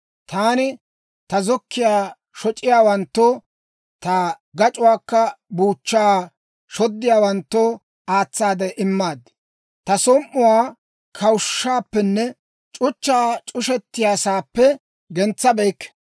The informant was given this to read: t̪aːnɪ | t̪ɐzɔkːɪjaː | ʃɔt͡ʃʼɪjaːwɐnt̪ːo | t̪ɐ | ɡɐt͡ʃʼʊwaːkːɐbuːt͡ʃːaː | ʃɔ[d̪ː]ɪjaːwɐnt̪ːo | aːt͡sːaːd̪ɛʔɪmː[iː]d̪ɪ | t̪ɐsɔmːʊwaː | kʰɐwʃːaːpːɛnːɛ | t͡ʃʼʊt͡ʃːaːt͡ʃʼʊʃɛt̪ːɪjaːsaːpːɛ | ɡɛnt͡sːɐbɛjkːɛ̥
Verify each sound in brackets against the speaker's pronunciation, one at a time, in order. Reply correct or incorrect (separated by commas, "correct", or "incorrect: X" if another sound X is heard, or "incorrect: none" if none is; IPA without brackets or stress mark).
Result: correct, incorrect: aː